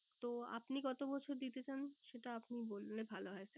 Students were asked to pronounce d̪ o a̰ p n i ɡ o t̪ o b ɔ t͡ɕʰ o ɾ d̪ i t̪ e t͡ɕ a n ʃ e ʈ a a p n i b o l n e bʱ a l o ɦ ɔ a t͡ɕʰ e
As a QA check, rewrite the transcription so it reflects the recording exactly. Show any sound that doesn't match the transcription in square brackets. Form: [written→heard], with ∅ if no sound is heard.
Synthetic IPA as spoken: [d̪→t̪] o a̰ p n i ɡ [o→ɔ] t̪ o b ɔ t͡ɕʰ o ɾ d̪ i t̪ e t͡ɕ a n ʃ e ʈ a a p n i b o l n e bʱ a l o ɦ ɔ [a→e] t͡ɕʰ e